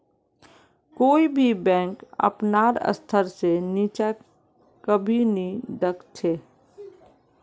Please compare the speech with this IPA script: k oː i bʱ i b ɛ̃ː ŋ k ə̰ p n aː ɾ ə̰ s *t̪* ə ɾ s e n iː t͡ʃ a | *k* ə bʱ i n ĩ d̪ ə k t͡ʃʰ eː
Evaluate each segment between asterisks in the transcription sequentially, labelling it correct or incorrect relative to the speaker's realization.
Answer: incorrect: t̪ʰ, correct

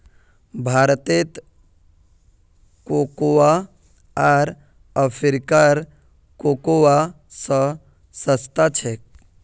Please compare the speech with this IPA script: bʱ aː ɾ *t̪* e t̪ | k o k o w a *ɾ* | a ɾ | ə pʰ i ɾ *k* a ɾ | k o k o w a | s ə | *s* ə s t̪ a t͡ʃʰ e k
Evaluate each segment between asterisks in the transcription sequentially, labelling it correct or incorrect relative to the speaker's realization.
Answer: correct, incorrect: none, correct, correct

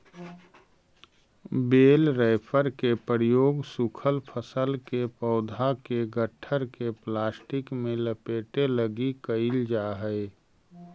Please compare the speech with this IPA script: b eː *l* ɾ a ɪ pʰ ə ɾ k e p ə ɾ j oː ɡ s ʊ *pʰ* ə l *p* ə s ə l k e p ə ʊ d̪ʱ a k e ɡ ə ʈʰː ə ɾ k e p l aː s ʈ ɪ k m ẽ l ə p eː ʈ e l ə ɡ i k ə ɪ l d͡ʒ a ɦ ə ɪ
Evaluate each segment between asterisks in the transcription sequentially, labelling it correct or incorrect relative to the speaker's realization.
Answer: correct, incorrect: kʰ, incorrect: pʰ

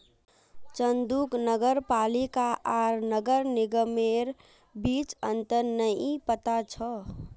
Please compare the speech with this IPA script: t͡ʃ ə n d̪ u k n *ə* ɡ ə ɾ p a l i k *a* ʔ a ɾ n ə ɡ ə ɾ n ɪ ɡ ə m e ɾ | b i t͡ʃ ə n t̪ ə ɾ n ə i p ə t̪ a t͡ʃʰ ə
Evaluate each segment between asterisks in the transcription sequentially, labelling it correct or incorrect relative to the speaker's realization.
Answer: correct, correct

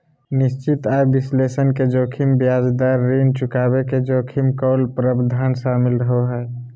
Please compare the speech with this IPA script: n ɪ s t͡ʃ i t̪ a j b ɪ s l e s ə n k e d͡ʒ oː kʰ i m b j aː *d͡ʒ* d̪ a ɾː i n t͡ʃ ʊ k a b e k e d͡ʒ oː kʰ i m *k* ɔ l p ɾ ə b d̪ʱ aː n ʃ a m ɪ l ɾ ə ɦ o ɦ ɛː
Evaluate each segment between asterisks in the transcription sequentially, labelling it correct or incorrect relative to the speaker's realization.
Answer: correct, correct

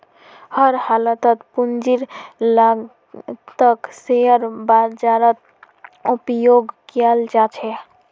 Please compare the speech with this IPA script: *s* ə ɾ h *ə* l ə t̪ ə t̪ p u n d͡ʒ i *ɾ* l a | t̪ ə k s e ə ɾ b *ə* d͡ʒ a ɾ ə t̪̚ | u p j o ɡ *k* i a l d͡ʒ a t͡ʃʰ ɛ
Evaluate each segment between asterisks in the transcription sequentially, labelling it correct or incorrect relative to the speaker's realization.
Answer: incorrect: h, incorrect: a, correct, incorrect: a, correct

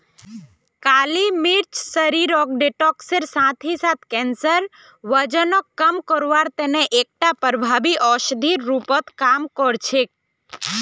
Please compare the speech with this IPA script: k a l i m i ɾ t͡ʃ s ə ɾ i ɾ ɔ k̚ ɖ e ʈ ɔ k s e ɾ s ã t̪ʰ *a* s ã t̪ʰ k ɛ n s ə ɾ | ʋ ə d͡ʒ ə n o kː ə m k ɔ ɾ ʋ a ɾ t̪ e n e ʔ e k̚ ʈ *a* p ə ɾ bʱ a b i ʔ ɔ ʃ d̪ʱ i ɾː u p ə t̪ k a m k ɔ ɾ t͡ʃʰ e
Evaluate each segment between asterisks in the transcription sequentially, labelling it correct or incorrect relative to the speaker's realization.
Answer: incorrect: i, correct

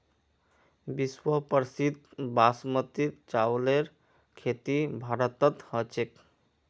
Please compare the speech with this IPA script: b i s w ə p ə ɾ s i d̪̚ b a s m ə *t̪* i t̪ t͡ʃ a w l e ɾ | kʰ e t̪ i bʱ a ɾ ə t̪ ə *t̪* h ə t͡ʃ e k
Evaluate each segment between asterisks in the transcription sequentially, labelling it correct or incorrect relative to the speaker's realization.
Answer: correct, correct

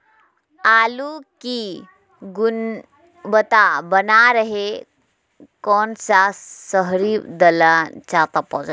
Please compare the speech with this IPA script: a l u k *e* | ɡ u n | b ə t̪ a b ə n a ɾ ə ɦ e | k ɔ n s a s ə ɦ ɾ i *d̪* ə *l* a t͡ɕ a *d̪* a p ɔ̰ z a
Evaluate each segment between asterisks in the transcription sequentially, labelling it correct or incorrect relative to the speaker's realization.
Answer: incorrect: i, correct, correct, incorrect: t̪

